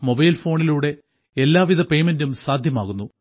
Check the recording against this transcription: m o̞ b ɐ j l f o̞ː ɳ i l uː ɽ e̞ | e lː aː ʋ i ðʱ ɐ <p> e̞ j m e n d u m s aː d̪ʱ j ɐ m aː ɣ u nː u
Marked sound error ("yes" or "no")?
no